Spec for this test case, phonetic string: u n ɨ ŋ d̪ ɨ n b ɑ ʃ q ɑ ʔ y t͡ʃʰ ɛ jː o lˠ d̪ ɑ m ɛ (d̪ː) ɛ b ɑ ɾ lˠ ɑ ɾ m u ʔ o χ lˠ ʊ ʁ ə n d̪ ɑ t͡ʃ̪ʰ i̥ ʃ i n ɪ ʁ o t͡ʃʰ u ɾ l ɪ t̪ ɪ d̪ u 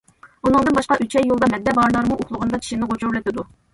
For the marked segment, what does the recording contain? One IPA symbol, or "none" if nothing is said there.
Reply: d̪ː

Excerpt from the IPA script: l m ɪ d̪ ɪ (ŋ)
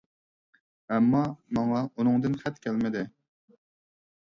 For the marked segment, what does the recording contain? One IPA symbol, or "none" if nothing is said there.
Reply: none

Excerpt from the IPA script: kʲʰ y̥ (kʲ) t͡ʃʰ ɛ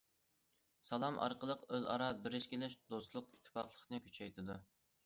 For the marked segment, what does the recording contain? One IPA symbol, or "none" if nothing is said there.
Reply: none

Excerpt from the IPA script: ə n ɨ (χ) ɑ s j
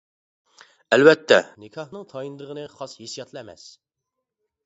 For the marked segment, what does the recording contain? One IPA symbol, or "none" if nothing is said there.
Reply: χ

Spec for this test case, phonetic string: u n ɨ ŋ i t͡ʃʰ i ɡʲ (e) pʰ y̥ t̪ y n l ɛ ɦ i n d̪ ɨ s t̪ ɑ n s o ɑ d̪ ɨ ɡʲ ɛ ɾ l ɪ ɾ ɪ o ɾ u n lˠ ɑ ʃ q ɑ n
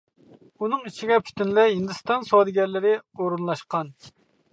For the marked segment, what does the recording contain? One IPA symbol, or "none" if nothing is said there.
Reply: ɛ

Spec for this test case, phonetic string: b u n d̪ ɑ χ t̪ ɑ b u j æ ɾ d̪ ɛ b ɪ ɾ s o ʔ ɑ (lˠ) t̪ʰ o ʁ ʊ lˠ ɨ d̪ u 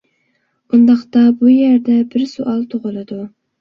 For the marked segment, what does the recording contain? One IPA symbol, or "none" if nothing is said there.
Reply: lˠ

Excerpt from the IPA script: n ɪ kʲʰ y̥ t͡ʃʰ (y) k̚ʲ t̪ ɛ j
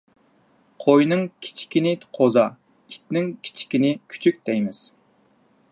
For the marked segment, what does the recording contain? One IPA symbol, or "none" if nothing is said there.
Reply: y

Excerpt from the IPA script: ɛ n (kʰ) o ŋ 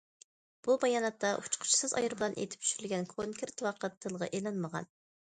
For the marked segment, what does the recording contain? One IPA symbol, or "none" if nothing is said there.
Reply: kʰ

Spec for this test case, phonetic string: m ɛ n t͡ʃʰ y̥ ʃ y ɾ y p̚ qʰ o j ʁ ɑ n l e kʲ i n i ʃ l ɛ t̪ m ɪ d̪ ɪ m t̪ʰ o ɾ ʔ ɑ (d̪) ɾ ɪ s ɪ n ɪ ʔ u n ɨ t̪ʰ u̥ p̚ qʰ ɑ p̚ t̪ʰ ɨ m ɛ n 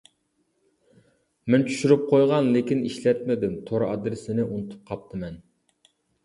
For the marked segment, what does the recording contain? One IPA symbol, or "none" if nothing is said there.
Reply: d̪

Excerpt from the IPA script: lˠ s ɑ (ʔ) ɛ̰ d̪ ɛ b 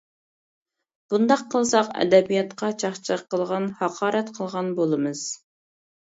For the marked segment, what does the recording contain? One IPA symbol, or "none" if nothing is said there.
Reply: q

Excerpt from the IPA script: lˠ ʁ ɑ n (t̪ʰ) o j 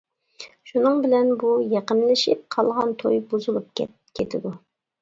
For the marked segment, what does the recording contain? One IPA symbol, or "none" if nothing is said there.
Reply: t̪ʰ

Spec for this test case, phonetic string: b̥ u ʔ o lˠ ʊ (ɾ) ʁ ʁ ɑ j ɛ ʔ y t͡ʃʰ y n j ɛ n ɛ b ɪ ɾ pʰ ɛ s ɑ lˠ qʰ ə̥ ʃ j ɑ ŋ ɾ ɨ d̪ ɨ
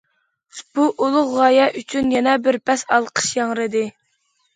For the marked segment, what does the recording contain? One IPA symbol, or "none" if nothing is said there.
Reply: none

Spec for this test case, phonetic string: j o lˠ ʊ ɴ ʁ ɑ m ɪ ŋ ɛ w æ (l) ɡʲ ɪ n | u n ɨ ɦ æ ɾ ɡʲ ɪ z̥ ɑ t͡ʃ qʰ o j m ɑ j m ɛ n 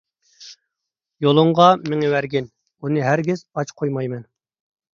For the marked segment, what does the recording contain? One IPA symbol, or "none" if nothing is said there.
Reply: ɾ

